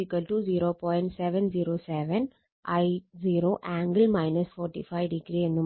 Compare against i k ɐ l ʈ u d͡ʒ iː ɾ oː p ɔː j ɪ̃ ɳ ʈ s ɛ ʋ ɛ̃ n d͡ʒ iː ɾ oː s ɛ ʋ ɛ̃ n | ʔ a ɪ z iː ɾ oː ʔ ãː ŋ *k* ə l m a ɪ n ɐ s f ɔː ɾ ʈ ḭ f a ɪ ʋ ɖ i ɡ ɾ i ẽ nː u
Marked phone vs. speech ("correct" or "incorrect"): incorrect